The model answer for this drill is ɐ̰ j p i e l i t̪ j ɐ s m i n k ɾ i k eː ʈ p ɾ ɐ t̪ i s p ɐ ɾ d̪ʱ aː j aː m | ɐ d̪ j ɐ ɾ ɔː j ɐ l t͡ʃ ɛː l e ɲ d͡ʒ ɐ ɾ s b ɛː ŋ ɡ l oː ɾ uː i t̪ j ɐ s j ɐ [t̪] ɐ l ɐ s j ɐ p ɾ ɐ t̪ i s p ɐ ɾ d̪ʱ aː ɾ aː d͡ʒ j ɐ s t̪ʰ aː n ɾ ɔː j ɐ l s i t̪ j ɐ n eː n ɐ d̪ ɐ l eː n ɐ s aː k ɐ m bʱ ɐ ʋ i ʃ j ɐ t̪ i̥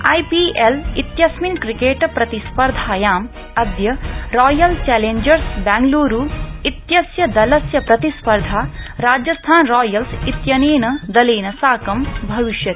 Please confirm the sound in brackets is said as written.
no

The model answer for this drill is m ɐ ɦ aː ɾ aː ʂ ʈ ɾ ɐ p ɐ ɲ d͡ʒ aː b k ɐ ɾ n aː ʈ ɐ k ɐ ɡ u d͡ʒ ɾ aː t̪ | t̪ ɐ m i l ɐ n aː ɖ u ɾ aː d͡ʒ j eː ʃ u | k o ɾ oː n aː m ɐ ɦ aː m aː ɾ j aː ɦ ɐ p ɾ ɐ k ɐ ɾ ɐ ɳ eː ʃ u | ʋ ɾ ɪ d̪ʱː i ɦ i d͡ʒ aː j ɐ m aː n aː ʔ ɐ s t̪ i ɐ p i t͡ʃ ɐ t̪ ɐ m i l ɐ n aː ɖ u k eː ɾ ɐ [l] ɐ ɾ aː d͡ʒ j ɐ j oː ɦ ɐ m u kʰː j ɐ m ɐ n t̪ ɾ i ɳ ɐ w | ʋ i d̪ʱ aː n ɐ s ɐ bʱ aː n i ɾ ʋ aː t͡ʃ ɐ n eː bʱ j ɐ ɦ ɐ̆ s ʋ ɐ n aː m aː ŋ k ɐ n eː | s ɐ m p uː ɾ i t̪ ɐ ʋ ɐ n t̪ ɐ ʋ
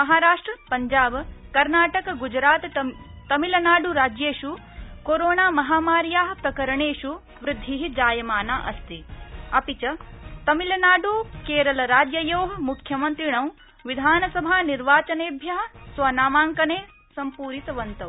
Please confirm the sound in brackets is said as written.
yes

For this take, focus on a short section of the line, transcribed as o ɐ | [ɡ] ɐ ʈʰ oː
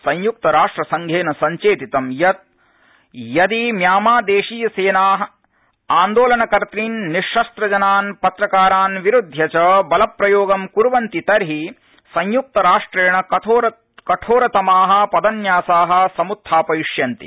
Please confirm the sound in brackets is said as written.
no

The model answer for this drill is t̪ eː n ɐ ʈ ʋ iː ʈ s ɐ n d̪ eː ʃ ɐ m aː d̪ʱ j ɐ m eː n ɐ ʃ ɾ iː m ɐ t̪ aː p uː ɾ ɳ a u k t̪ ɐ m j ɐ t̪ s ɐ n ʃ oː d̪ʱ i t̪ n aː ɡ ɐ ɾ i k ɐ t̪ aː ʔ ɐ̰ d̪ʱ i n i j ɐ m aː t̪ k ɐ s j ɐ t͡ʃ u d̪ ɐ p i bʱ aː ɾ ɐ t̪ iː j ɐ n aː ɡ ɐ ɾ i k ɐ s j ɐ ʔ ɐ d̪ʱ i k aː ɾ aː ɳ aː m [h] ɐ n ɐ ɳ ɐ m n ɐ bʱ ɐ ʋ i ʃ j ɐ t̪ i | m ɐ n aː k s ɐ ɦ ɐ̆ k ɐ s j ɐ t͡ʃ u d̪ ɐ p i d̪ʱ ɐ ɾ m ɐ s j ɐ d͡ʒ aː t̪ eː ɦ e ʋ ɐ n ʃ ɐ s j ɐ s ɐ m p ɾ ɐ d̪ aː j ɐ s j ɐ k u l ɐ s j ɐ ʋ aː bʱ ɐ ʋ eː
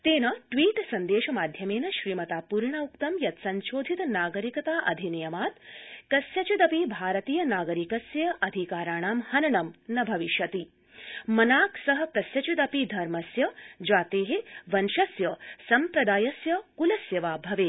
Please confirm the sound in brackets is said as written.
yes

